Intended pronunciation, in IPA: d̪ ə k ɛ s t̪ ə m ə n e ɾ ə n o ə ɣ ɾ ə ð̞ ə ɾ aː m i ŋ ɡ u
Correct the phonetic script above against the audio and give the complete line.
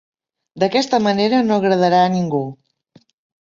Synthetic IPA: d̪ ə k ɛ s t̪ ə m ə n e ɾ ə n o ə ɣ ɾ ə ð̞ ə ɾ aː n i ŋ ɡ u